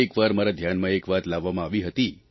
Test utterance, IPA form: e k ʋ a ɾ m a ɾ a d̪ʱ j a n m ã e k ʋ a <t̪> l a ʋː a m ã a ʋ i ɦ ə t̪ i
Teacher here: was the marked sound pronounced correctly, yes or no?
yes